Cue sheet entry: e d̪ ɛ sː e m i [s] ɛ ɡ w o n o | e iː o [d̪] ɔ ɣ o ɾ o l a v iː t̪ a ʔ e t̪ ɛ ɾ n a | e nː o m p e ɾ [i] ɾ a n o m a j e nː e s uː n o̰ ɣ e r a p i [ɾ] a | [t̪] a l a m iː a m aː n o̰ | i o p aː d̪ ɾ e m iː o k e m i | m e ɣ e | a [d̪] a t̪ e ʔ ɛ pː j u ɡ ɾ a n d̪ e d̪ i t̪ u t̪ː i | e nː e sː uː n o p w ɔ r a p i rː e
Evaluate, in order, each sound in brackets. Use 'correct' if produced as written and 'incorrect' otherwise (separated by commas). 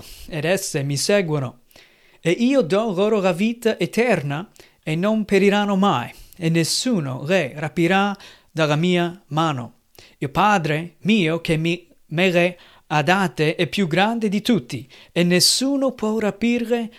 correct, correct, correct, correct, incorrect, correct